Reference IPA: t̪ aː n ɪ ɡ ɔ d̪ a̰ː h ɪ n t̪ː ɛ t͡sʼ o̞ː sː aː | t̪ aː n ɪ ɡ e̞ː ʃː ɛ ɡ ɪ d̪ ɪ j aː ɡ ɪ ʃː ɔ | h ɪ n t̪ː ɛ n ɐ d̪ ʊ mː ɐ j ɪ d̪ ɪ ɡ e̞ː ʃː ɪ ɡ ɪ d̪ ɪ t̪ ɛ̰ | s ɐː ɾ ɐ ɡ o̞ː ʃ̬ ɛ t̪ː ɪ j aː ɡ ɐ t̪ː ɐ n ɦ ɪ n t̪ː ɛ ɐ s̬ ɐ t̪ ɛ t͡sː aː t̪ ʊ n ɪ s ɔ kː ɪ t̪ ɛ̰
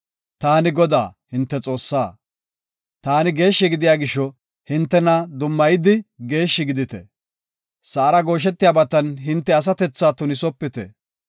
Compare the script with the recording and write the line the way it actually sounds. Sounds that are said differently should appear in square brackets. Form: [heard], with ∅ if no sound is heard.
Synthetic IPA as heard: t̪ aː n ɪ ɡ ɔ d̪ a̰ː h ɪ n t̪ː ɛ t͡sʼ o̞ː sː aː | t̪ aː n ɪ ɡ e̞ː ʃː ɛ ɡ ɪ d̪ ɪ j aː ɡ ɪ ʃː ɔ | h ɪ n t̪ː ɛ n ɐ d̪ ʊ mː ɐ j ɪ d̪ ɪ ɡ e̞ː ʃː ɪ ɡ ɪ d̪ ɪ t̪ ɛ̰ | s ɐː ɾ ɐ ɡ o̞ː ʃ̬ ɛ t̪ː ɪ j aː [b] ɐ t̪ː ɐ n ɦ ɪ n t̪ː ɛ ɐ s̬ ɐ t̪ ɛ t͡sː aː t̪ ʊ n ɪ s ɔ [pː] ɪ t̪ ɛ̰